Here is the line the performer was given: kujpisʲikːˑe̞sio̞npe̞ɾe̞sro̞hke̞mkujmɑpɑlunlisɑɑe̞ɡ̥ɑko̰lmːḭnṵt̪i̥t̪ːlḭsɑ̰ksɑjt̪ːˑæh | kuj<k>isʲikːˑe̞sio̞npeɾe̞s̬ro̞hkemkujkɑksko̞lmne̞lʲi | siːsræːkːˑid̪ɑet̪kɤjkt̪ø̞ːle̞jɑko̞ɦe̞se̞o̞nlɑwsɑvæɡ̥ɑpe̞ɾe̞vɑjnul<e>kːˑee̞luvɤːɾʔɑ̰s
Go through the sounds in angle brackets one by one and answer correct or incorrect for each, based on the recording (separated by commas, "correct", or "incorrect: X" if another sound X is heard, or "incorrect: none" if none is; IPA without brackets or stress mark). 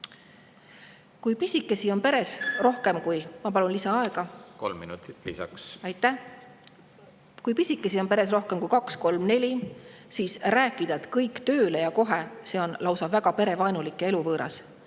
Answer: incorrect: p, incorrect: i